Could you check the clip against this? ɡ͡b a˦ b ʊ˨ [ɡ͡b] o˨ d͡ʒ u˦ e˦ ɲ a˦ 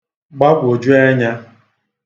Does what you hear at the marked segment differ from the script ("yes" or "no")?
yes